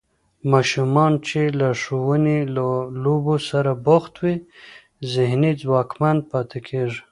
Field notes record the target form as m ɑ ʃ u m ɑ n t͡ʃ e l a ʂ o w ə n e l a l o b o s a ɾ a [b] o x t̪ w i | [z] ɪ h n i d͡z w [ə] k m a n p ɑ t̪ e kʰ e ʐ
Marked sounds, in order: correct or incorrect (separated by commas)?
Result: correct, correct, incorrect